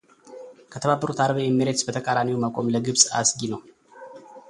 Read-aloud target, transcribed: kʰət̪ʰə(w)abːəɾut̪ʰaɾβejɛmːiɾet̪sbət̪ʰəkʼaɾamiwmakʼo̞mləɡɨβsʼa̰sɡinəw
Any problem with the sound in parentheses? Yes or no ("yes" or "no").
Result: yes